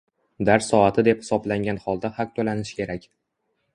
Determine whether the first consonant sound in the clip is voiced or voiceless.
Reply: voiced